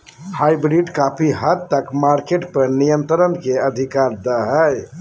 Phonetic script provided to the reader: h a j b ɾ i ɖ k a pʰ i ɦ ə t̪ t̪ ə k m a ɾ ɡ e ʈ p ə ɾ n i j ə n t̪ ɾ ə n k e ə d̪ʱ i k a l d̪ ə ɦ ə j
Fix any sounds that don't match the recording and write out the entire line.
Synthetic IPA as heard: h a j b ɾ i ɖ k a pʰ i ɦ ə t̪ t̪ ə k m a ɾ k e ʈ p ə ɾ n i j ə n t̪ ɾ ə n k e ə d̪ʱ i k a ɾ d̪ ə ɦ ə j